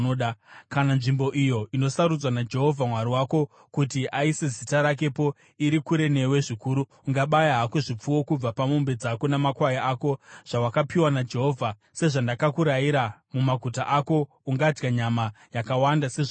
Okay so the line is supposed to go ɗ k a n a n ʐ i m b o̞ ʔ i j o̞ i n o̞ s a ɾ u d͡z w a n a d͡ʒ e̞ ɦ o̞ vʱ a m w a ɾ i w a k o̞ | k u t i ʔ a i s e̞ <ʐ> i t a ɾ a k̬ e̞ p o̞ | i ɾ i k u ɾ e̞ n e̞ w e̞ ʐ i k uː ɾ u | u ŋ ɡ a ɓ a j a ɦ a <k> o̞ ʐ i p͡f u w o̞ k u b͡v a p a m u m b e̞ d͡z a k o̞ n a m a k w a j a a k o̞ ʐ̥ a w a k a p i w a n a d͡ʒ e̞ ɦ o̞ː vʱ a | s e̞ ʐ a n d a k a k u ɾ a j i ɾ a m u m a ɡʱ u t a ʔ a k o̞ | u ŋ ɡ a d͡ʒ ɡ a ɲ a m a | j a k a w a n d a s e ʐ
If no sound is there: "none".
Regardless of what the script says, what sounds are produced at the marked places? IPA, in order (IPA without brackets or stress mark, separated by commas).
z, k